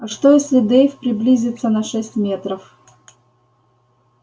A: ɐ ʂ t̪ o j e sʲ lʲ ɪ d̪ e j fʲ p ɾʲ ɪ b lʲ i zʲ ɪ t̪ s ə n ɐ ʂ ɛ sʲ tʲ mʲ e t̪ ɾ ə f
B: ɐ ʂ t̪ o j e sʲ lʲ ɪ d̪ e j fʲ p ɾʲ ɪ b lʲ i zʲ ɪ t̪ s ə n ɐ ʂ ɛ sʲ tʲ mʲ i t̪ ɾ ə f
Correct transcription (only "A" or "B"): A